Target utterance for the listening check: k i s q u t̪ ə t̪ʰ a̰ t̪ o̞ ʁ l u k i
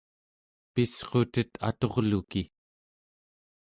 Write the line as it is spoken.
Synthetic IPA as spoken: p i s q o t̪ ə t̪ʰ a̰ t̪ o̞ ʁ l u k i